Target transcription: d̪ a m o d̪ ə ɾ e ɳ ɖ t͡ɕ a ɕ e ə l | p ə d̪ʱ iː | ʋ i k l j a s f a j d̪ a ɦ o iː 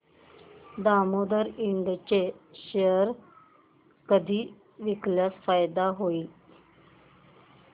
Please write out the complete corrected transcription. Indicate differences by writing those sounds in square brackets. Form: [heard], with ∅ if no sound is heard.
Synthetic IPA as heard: d̪ a m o d̪ ə ɾ [i] ɳ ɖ t͡ɕ [e] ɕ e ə [ɾ] | [k] ə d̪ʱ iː | ʋ i k l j a s f a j d̪ a ɦ o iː

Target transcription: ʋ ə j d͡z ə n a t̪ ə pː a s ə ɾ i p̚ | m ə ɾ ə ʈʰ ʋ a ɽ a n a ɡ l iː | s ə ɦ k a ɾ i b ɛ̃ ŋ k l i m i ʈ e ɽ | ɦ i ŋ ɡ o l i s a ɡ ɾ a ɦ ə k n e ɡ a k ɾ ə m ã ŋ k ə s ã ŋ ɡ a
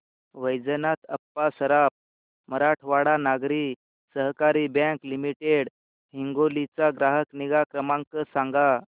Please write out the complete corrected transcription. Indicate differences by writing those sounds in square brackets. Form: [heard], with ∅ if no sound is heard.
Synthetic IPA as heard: ʋ ə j d͡z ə n a t̪ ə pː a s ə ɾ [a] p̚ | m ə ɾ [a] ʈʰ ʋ a ɽ a n a ɡ [ɾ] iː | s ə ɦ k a ɾ i b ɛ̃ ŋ k l i m i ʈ e ɽ | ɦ i ŋ ɡ o l i [t͡s] a ɡ ɾ a ɦ ə k n [i] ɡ a k ɾ ə m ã ŋ k ə s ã ŋ ɡ a

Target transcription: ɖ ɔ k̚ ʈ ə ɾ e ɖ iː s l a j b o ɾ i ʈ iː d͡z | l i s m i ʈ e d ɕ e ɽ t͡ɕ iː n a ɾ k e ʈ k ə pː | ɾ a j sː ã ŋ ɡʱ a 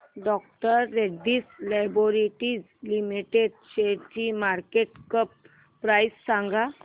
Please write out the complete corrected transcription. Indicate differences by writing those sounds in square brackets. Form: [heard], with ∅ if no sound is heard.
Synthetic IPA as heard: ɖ ɔ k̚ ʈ ə [ɾː] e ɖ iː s l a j b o ɾ i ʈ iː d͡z | l i [∅] m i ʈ e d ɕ e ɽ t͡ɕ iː [m] a ɾ k e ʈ k ə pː | ɾ a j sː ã ŋ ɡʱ a

